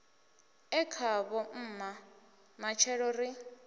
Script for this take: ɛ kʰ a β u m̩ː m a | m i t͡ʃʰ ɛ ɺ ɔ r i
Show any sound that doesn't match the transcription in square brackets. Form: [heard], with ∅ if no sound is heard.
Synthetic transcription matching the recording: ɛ kʰ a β [ɔ] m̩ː m a | m [a] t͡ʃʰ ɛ ɺ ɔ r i